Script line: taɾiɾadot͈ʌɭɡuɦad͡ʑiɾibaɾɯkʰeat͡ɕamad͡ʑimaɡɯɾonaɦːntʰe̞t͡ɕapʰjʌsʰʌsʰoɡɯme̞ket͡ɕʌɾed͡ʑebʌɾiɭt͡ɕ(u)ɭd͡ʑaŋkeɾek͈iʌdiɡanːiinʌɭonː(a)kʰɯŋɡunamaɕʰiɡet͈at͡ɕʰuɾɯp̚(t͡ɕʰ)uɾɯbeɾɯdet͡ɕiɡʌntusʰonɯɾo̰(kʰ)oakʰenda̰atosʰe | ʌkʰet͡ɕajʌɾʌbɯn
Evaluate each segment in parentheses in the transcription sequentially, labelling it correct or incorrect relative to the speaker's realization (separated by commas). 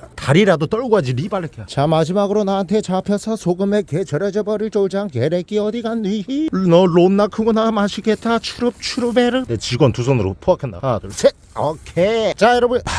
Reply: incorrect, correct, correct, incorrect